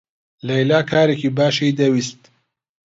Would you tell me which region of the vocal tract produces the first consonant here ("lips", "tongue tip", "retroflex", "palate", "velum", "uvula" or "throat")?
tongue tip